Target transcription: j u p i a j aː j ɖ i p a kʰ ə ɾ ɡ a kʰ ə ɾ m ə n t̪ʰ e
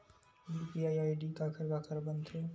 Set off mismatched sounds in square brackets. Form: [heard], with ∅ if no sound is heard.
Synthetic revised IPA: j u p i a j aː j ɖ i [k] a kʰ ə ɾ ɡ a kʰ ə ɾ [b] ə n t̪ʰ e